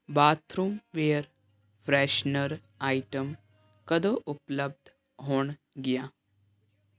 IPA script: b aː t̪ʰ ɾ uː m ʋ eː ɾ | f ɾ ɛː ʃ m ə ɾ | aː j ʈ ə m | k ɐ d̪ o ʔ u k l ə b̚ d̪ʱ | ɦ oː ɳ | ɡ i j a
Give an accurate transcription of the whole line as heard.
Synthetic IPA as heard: b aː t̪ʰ ɾ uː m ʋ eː ɾ | f ɾ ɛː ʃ n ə ɾ | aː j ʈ ə m | k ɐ d̪ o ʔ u p l ə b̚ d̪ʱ | ɦ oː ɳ | ɡ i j a

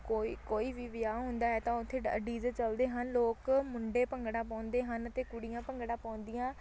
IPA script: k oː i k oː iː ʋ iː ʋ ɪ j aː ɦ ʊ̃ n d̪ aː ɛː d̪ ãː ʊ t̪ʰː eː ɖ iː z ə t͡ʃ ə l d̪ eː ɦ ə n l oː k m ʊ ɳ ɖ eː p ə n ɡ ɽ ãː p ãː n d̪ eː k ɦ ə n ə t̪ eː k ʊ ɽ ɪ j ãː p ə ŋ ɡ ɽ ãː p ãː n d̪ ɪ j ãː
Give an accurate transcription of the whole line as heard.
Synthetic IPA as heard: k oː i k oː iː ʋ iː ʋ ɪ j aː ɦ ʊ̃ n d̪ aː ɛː t̪ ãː ʊ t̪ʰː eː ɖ iː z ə t͡ʃ ə l d̪ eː ɦ ə n l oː k m ʊ ɳ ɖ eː p ə ŋ ɡ ɽ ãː p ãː n d̪ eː ɦ ə n ə t̪ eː k ʊ ɽ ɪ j ãː p ə ŋ ɡ ɽ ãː p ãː n d̪ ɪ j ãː

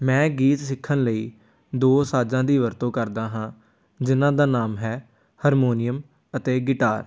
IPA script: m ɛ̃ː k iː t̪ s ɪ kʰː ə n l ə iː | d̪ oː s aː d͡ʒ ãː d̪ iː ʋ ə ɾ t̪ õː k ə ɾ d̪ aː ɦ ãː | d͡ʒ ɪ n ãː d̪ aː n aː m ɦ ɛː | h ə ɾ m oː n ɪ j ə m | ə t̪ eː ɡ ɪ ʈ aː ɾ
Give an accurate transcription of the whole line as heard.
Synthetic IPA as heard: m ɛ̃ː ɡ iː t̪ s ɪ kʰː ə n l ə iː | d̪ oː s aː d͡ʒ ãː d̪ iː ʋ ə ɾ t̪ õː k ə ɾ d̪ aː ɦ ãː | d͡ʒ ɪ n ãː d̪ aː n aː m ɦ ɛː | h ə ɾ m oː n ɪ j ə m | ə t̪ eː ɡ ɪ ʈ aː ɾ

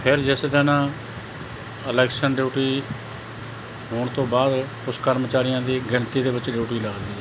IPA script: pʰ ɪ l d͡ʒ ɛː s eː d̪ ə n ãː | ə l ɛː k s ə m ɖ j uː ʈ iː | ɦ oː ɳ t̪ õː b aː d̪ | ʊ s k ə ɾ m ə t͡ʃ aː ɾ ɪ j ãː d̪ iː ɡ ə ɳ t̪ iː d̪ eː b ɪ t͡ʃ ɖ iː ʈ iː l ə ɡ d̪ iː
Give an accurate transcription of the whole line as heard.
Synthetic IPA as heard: pʰ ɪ ɾ d͡ʒ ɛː s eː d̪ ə n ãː | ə l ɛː k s ə n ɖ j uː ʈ iː | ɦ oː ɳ t̪ õː b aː d̪ | ʊ s k ə ɾ m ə t͡ʃ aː ɾ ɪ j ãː d̪ iː ɡ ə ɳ t̪ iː d̪ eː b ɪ t͡ʃ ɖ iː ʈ iː l ə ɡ d̪ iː

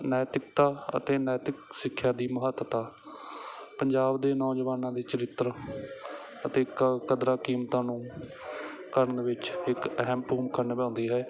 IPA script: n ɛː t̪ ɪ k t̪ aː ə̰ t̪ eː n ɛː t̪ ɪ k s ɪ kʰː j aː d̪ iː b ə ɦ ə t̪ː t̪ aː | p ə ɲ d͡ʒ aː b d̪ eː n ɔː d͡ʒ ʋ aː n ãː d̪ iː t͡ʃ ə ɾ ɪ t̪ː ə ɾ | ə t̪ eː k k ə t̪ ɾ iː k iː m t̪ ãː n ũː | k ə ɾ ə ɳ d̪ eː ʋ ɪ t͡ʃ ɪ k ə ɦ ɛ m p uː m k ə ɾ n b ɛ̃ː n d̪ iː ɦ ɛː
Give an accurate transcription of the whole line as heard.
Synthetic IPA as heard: n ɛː t̪ ɪ k t̪ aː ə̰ t̪ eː n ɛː t̪ ɪ k s ɪ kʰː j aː d̪ iː m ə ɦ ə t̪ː t̪ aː | p ə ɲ d͡ʒ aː b d̪ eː n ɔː d͡ʒ ʋ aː n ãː d̪ iː t͡ʃ ə ɾ ɪ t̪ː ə ɾ | ə t̪ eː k k ə d̪ ɾ aː k iː m t̪ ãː n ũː | k ə ɾ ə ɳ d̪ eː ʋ ɪ t͡ʃ ɪ k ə ɦ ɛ m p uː m k ə ɾ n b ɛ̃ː n d̪ iː ɦ ɛː

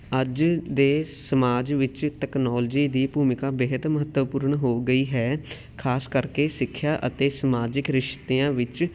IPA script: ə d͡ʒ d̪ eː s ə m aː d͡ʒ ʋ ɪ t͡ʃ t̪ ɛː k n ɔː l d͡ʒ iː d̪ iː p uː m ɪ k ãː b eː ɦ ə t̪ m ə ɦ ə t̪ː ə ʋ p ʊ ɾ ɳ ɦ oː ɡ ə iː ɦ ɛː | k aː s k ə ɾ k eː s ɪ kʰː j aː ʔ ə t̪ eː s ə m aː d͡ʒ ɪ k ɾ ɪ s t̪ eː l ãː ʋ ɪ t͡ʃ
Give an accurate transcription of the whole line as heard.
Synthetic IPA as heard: ə d͡ʒ d̪ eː s ə m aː d͡ʒ ʋ ɪ t͡ʃ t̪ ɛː k n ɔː l d͡ʒ iː d̪ iː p uː m ɪ k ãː b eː ɦ ə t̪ m ə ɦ ə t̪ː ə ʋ p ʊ ɾ ɳ ɦ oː ɡ ə iː ɦ ɛː | kʰ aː s k ə ɾ k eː s ɪ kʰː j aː ʔ ə t̪ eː s ə m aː d͡ʒ ɪ k ɾ ɪ ʃ t̪ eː ãː ʋ ɪ t͡ʃ

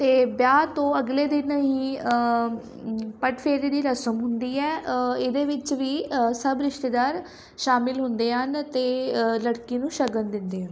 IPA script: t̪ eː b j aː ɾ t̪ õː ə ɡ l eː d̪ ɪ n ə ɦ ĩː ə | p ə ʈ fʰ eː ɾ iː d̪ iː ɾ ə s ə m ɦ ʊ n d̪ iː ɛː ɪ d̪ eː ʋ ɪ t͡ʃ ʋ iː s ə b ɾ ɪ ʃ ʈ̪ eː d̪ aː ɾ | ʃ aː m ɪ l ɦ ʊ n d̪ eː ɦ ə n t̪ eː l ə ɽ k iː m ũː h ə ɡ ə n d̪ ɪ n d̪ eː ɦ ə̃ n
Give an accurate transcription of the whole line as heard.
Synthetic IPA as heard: t̪ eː b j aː t̪ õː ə ɡ l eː d̪ ɪ n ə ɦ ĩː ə | p ə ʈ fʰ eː ɾ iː d̪ iː ɾ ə s ə m ɦ ʊ n d̪ iː ɛː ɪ d̪ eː ʋ ɪ t͡ʃ ʋ iː s ə b ɾ ɪ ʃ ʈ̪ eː d̪ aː ɾ | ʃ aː m ɪ l ɦ ʊ n d̪ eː ɦ ə n t̪ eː l ə ɽ k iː n ũː ʃ ə ɡ ə n d̪ ɪ n d̪ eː ɦ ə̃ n

